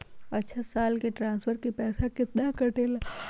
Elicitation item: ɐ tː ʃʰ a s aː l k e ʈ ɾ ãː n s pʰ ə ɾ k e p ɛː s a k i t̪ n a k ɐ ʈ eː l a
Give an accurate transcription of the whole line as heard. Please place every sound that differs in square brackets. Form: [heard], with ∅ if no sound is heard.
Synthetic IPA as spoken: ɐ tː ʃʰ a s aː l k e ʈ ɾ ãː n s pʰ ə ɾ k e p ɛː s a k [ɪ] t̪ n a k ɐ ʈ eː l a